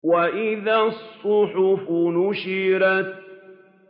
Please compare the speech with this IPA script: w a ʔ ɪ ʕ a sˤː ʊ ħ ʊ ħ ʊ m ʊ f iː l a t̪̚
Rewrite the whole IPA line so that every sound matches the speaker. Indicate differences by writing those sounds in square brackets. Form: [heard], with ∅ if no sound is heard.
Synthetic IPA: w a ʔ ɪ [ð] a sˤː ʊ ħ ʊ [f] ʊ [n] ʊ [ʃ] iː [ɾ] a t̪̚